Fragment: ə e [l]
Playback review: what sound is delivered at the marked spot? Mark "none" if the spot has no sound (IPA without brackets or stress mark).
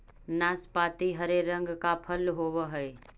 none